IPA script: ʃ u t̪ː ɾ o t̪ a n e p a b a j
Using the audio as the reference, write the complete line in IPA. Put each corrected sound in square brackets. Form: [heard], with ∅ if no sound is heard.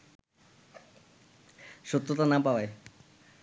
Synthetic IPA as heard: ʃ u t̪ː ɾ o t̪ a n [a] p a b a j